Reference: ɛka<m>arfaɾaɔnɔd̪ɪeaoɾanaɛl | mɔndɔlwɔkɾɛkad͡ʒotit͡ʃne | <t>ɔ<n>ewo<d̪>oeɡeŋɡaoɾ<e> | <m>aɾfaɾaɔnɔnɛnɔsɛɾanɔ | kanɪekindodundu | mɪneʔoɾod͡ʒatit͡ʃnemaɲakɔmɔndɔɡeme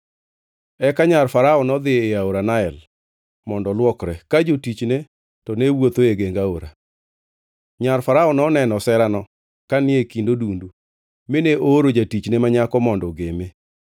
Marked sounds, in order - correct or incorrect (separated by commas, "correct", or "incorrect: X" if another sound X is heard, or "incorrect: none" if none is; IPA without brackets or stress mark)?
incorrect: ɲ, correct, correct, incorrect: t̪, incorrect: a, incorrect: ɲ